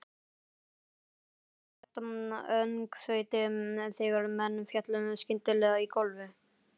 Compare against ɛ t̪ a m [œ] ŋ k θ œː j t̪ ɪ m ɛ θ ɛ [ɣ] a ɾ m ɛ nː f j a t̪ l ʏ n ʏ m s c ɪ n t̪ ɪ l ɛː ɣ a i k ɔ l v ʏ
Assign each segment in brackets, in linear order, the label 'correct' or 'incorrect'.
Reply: correct, correct

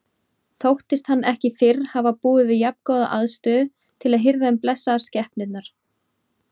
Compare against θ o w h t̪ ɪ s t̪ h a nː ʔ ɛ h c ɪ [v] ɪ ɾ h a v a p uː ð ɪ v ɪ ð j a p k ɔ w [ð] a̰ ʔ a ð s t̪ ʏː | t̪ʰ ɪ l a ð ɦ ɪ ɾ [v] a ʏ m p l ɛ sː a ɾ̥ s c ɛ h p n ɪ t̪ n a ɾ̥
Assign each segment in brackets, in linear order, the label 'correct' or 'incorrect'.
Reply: incorrect, correct, incorrect

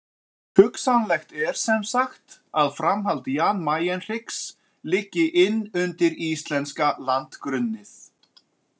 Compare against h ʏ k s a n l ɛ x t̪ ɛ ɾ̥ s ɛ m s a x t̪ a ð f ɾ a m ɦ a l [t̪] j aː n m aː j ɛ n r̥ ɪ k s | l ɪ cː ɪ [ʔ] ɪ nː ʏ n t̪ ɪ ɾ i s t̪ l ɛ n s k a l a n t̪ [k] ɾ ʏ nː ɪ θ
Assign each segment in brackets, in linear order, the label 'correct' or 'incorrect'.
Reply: correct, correct, correct

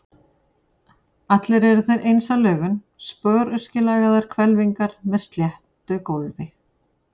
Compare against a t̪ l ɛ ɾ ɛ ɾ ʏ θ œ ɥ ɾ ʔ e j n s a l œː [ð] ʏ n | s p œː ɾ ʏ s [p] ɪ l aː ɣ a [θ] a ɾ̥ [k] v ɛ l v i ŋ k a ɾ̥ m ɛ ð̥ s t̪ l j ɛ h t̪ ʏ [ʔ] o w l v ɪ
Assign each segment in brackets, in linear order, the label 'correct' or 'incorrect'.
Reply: incorrect, incorrect, incorrect, incorrect, incorrect

